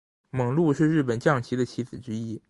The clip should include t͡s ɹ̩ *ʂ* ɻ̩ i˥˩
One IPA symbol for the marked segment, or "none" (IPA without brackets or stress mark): ʈ͡ʂ